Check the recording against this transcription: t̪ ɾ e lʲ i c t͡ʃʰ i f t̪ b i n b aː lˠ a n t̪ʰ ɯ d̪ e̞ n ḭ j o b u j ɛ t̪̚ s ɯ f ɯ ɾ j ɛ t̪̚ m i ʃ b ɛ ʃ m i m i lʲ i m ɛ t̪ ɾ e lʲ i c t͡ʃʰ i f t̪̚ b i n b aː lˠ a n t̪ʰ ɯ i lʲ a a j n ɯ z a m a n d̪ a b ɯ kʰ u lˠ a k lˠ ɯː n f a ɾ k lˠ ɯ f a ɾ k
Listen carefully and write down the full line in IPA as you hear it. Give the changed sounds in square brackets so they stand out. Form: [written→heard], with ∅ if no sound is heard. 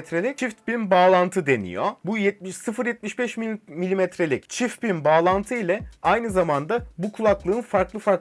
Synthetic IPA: t̪ ɾ e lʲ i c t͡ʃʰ i f t̪ b i n b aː lˠ a n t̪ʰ ɯ d̪ e̞ n ḭ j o b u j ɛ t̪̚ s ɯ f ɯ ɾ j ɛ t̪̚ m i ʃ b ɛ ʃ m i m i lʲ i m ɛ t̪ ɾ e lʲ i c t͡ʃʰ i f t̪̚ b i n b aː lˠ a n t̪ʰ ɯ i lʲ [a→ɛ] a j n ɯ z a m a n d̪ a b [ɯ→u] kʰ u lˠ a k lˠ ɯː n f a ɾ k lˠ ɯ f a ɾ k

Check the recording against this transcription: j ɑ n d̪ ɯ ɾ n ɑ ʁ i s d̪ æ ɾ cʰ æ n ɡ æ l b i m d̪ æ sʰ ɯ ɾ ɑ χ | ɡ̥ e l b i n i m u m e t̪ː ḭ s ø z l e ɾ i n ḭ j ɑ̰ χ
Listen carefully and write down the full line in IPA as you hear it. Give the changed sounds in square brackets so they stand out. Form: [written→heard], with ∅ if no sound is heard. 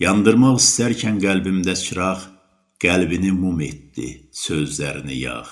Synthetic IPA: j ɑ n d̪ ɯ ɾ [n→m] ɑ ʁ i s [d̪→t̪] æ ɾ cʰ æ n ɡ æ l b i m d̪ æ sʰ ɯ ɾ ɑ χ | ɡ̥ [e→æ] l b i n i m u m e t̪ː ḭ s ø z l [e→æ] ɾ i n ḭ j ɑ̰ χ

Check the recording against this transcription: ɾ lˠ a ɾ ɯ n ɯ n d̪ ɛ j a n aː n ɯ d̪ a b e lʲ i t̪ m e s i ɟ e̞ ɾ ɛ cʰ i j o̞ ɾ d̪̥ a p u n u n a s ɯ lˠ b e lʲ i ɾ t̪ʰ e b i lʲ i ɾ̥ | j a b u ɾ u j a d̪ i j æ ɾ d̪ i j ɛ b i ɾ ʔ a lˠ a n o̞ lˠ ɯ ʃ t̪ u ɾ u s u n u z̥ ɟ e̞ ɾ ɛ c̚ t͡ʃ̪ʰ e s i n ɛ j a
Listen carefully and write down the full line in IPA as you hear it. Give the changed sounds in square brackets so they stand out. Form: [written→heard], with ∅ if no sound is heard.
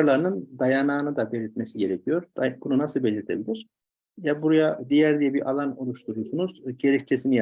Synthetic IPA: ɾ lˠ a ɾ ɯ n ɯ n d̪ [ɛ→a] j a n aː n ɯ d̪ a b e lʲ i t̪ m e s i ɟ e̞ ɾ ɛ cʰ i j o̞ ɾ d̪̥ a [p→b] u n u n a s ɯ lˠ b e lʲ i ɾ t̪ʰ e b i lʲ i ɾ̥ | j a b u ɾ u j a d̪ i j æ ɾ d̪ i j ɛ b i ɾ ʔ a lˠ a n o̞ lˠ [ɯ→u] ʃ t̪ u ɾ u s u n u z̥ ɟ e̞ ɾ ɛ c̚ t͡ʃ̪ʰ e s i n [ɛ→i] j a

